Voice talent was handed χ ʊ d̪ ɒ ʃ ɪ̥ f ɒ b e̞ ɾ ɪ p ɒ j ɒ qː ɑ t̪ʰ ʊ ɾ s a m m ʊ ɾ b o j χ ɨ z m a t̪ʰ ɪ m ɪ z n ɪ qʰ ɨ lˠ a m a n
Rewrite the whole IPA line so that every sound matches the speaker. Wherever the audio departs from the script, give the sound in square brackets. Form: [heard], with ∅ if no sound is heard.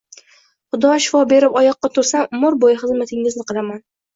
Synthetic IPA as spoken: χ ʊ d̪ ɒ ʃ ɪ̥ f ɒ b e̞ ɾ ɪ p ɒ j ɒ qː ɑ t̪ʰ ʊ ɾ s a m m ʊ ɾ b o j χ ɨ z m a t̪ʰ ɪ [ŋ] ɪ z n ɪ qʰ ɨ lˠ a m a n